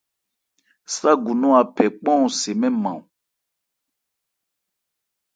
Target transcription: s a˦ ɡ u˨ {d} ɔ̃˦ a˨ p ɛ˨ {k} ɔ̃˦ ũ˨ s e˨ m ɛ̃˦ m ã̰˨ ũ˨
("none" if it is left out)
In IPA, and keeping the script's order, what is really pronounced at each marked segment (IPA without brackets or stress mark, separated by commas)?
n, k͡p